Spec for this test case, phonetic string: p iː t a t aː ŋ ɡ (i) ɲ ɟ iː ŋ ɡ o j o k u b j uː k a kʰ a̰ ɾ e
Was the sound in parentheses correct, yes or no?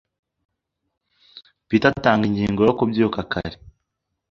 yes